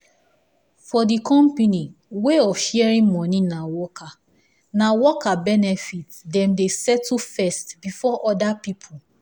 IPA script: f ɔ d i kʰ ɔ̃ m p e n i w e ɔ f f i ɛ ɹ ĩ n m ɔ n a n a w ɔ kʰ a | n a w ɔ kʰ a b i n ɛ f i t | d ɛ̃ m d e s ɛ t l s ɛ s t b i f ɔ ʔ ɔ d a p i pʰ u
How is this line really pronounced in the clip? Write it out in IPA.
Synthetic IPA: f ɔ d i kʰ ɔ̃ m p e n i w e ɔ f ʃ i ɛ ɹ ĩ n m ɔ n i n a w ɔ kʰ a | n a w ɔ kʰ a b ɛ n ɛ f i t | d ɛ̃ m d e s ɛ t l f ɛ s t b i f ɔ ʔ ɔ d a p i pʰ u